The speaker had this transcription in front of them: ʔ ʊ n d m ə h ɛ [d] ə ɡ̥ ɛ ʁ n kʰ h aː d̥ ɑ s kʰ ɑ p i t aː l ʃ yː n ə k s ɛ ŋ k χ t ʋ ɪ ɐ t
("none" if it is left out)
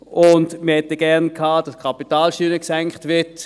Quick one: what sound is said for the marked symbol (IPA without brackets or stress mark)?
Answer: t